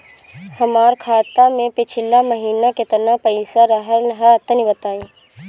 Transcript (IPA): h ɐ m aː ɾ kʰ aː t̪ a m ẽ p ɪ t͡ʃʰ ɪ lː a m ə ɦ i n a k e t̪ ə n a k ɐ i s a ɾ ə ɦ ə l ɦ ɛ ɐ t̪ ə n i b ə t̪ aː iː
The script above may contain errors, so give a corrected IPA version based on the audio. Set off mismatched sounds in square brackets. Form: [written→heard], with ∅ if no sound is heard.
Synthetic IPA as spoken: h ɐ m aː ɾ kʰ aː t̪ a m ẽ p ɪ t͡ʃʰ ɪ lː a m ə ɦ [i→iː] n a k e t̪ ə n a [k→p] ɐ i s a ɾ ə ɦ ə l ɦ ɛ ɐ t̪ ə n i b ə t̪ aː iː